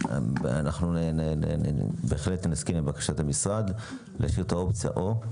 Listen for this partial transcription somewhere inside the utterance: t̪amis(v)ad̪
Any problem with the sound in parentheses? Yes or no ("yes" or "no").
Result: yes